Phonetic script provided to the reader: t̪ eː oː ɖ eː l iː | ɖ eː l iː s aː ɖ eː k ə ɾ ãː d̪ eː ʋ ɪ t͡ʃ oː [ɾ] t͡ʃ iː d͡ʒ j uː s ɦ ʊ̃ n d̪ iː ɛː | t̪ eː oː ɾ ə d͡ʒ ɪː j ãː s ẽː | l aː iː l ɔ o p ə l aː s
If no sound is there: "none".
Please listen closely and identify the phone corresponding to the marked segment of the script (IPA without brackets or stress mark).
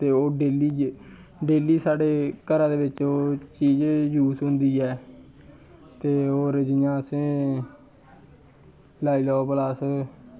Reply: none